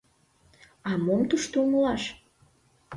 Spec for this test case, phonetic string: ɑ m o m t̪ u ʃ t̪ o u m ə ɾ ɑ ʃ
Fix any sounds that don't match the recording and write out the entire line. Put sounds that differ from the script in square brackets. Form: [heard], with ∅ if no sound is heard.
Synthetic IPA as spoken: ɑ m o m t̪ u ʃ t̪ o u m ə [l] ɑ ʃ